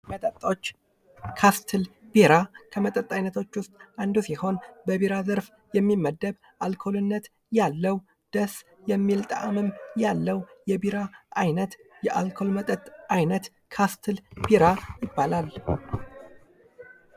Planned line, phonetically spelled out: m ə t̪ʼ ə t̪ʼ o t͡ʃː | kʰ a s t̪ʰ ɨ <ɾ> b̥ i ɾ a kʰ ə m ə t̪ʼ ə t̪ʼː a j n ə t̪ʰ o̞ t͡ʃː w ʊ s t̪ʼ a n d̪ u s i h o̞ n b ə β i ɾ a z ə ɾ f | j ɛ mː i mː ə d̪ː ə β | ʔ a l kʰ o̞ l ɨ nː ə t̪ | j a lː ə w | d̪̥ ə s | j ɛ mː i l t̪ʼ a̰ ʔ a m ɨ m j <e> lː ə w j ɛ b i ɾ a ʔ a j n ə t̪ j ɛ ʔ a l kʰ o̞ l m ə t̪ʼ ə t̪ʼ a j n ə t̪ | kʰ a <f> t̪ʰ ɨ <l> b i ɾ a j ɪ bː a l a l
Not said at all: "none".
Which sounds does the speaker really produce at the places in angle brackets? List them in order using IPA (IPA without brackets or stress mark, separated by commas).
l, a, s, l